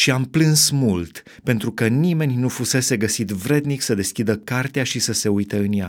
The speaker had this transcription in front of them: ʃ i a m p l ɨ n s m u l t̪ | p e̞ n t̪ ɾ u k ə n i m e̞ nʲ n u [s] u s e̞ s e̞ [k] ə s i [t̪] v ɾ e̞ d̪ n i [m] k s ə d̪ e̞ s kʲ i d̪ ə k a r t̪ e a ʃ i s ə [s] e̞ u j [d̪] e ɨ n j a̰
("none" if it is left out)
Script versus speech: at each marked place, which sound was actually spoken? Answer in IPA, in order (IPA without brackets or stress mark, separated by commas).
f, ɡ, t̪, none, s, t̪